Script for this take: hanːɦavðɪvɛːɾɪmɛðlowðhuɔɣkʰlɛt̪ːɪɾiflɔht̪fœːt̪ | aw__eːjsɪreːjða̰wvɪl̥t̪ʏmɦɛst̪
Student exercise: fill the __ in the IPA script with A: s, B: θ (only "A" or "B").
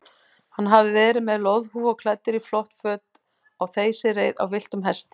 B